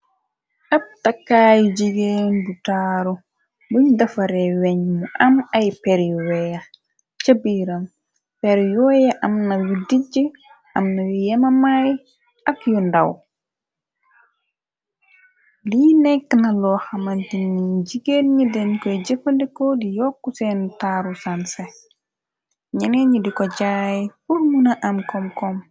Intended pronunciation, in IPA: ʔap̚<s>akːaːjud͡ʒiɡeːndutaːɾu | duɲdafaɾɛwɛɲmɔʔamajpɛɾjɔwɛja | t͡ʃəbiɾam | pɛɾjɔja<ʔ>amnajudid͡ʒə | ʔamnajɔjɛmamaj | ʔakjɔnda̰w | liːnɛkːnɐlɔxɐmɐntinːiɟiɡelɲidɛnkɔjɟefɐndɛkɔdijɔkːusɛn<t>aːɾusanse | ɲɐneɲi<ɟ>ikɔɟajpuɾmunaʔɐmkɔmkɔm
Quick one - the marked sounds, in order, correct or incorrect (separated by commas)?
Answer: incorrect, correct, correct, incorrect